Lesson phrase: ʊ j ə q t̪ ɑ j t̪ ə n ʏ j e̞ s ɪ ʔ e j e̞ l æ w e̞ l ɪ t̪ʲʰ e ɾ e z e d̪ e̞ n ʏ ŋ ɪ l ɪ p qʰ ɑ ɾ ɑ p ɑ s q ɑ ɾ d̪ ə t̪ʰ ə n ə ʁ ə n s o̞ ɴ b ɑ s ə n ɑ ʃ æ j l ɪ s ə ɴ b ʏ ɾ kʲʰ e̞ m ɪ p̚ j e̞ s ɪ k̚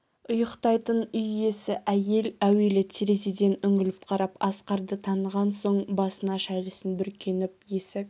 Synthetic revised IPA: ʊ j ə q t̪ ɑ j t̪ ə n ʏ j e̞ s ɪ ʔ æ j e̞ l æ w e̞ l ɪ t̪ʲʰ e ɾ e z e d̪ e̞ n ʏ ŋ ɪ l ɪ p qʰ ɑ ɾ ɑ p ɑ s q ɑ ɾ d̪ ə t̪ʰ ɑ n ə ʁ ɑ n s o̞ ɴ b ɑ s ə n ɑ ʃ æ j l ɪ s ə n b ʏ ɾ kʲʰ e̞ n ɪ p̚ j e̞ s ɪ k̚